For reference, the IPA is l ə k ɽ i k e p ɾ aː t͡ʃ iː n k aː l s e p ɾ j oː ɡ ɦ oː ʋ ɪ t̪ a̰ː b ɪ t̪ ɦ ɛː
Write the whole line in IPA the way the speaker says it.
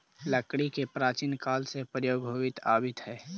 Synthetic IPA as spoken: l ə k ɽ i k e p ɾ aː t͡ʃ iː n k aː l s e p ɾ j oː ɡ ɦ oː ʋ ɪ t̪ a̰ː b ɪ t̪ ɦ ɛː